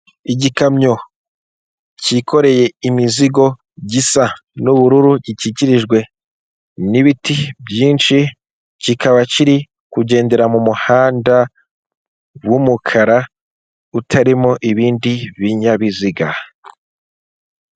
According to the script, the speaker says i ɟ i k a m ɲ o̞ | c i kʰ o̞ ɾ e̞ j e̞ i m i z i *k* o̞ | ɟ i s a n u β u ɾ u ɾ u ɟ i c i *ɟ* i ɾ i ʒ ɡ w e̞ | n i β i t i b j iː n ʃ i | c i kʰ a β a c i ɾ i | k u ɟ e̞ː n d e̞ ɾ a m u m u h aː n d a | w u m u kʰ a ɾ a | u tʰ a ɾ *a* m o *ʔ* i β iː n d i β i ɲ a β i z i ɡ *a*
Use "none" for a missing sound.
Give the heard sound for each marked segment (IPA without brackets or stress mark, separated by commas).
ɡ, c, i, ʔ, a